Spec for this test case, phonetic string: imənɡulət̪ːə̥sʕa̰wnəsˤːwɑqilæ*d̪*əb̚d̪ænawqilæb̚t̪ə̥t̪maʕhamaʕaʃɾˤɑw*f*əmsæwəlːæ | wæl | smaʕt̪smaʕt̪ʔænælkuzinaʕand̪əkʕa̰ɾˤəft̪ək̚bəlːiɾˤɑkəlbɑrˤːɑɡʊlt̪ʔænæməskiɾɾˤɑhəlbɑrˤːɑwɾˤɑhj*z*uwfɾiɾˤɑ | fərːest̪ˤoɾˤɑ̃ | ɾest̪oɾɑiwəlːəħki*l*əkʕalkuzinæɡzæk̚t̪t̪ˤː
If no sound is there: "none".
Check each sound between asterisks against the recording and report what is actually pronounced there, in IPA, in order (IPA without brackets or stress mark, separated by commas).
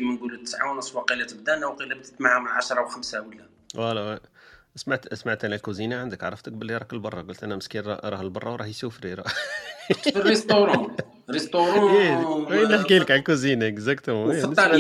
t̪, x, s, l